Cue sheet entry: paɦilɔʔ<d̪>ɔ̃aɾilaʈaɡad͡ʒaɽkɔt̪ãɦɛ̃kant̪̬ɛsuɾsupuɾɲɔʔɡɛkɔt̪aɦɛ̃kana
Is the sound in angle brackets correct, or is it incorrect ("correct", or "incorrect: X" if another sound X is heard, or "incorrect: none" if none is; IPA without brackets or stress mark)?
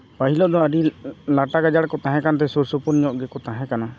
correct